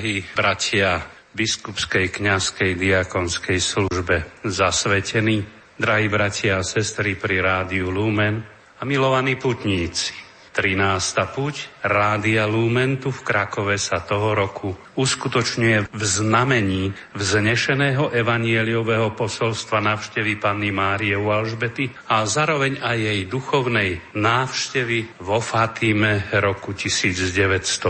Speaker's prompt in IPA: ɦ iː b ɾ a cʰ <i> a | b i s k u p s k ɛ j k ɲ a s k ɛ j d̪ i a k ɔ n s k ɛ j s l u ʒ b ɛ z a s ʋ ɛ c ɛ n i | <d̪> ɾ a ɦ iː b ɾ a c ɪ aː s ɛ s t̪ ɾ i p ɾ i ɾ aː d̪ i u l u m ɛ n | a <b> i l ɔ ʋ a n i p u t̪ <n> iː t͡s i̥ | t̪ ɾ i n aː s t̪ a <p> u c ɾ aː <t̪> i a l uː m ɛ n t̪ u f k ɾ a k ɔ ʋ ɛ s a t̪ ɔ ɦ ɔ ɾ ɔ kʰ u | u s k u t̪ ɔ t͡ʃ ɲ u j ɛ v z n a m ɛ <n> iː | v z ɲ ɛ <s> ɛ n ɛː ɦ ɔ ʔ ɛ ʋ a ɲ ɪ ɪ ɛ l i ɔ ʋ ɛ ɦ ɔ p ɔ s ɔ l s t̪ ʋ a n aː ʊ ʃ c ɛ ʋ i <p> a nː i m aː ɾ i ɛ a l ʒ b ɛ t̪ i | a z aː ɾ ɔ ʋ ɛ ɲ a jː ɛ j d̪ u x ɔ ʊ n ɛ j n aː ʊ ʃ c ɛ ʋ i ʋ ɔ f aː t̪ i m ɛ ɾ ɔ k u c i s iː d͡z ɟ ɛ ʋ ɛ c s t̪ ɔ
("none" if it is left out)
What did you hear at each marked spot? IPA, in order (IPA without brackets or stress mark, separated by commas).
ɪ, d̪, m, ɲ, p, d̪, ɲ, ʃ, p